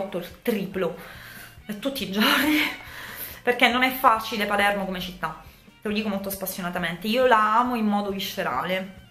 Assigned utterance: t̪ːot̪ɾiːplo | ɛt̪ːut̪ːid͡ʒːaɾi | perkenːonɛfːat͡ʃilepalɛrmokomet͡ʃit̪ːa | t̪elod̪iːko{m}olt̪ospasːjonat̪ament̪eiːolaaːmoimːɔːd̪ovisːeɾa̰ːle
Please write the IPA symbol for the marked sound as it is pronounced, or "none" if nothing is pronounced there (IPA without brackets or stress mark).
m